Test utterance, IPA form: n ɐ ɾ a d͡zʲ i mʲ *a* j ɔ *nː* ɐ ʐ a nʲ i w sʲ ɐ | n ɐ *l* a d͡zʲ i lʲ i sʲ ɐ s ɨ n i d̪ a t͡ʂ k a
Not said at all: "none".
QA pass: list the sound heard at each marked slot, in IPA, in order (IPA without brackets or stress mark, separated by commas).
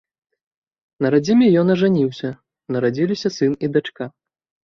ɛ, n, ɾ